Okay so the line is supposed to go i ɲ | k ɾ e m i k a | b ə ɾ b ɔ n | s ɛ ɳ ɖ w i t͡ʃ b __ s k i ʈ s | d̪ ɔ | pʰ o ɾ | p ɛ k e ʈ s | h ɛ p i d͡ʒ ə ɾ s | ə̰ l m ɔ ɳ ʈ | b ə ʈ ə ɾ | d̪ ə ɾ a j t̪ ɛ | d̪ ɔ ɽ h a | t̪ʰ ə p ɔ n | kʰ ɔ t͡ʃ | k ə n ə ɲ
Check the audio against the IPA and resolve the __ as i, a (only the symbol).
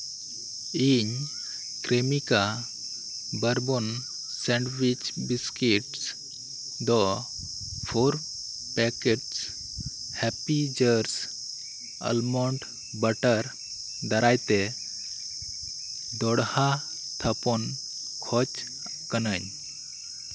i